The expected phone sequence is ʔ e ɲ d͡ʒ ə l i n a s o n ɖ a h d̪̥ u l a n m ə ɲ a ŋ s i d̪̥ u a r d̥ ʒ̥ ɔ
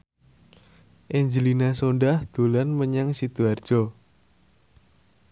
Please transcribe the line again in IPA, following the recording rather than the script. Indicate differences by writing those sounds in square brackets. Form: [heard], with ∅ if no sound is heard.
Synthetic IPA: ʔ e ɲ d͡ʒ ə l i n a s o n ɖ a h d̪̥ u l a n m ə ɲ a ŋ s i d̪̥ u a r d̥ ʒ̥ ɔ